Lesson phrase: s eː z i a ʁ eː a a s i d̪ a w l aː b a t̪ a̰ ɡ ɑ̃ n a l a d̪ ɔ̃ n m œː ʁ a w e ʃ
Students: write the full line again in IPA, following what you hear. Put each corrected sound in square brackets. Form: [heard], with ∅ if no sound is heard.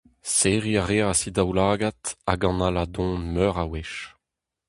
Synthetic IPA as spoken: s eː [ʁ] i a ʁ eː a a s i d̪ a w l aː [ɡ] a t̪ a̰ ɡ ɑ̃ n a l a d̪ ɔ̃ n m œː ʁ a w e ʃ